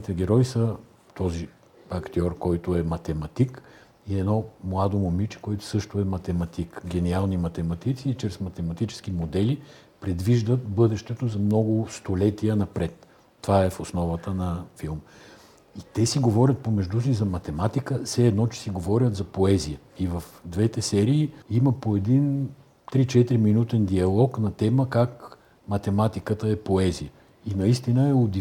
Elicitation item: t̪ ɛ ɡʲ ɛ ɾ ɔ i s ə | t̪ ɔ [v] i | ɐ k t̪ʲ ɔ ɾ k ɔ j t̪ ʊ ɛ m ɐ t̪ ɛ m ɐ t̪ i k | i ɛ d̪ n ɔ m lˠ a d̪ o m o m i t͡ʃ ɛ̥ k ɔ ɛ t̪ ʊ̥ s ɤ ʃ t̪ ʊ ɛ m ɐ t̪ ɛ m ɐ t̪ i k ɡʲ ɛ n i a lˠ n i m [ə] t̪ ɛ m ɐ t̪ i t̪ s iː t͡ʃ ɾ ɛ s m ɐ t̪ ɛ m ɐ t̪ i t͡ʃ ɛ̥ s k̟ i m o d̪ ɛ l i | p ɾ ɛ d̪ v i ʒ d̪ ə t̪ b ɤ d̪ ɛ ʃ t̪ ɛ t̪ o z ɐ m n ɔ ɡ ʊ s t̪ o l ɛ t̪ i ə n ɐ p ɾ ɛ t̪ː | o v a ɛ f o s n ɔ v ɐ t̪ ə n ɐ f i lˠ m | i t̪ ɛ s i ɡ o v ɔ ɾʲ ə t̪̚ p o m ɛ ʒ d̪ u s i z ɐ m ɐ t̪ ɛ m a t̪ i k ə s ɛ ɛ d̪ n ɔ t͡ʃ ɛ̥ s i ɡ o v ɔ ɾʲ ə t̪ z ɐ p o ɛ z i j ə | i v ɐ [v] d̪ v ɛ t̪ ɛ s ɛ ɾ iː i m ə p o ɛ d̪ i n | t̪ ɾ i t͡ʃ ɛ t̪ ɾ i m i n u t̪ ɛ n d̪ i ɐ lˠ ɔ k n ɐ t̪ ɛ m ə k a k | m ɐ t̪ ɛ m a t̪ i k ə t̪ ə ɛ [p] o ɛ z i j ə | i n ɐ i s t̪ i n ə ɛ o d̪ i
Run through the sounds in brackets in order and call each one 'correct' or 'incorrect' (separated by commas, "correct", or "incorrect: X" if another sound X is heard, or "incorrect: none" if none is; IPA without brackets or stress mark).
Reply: incorrect: z, incorrect: ɐ, incorrect: f, correct